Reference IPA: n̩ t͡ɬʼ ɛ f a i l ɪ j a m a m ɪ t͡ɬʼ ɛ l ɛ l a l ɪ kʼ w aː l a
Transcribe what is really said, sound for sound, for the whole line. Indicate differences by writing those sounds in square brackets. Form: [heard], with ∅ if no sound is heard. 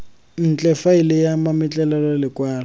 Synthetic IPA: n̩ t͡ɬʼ ɛ f a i l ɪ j a m a m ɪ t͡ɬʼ ɛ l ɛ l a l ɪ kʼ w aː l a